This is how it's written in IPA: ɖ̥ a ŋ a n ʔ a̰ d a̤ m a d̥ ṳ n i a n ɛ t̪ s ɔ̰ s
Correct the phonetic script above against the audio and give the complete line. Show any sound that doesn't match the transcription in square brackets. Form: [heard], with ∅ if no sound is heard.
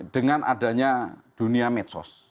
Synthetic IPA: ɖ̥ [ə] ŋ a n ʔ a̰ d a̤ [ɲ] a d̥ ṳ n i a [m] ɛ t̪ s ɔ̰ s